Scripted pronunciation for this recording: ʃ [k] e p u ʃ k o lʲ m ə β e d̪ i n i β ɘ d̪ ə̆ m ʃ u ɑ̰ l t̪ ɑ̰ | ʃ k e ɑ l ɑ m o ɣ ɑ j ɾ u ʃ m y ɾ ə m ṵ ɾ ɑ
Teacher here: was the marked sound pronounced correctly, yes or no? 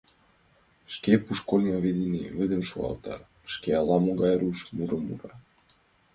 yes